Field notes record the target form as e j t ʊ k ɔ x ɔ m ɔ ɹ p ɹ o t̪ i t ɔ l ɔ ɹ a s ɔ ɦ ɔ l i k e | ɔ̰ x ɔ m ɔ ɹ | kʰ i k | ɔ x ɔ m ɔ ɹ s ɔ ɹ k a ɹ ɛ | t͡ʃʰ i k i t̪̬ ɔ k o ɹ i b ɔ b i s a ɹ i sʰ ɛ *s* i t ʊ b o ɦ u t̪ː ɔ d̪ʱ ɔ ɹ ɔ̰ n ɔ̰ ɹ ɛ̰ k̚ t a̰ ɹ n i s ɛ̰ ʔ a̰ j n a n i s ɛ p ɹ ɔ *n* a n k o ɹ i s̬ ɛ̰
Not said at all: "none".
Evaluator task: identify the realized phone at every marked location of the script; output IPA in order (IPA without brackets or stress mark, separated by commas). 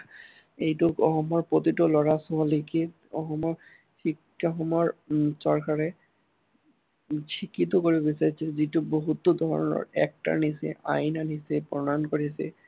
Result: z, n